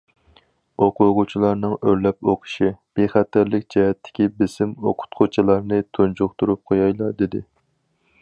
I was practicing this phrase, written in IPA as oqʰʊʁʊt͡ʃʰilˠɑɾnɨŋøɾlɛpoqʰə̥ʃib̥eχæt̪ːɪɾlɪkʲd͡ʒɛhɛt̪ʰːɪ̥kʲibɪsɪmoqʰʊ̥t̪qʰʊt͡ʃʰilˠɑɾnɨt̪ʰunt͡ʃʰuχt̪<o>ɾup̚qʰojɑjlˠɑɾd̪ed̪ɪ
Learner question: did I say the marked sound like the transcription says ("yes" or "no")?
no